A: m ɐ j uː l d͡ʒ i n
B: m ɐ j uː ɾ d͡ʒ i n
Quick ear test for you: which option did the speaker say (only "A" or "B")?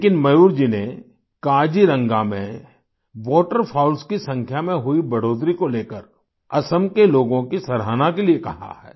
B